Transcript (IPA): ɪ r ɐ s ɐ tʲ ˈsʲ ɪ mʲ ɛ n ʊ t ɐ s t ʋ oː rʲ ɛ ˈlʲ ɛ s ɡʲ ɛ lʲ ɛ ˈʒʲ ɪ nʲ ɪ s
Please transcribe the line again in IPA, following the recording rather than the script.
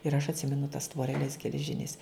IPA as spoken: ɪ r ɐ ʃ ɐ tʲ ˈsʲ ɪ mʲ ɛ n ʊ t ɐ s t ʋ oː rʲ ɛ ˈlʲ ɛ s ɡʲ ɛ lʲ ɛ ˈʒʲ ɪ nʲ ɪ s